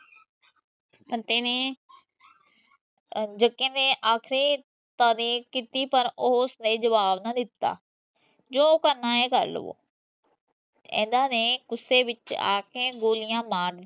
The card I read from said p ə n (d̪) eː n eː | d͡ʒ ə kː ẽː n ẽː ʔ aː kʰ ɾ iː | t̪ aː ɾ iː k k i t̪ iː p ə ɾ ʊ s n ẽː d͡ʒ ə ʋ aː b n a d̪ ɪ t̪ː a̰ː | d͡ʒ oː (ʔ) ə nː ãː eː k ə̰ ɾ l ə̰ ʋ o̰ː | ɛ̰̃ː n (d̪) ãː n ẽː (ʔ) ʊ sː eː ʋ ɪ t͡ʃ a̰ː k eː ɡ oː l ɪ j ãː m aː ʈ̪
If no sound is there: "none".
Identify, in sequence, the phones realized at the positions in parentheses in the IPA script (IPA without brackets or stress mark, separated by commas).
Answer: t̪, k, d̪, k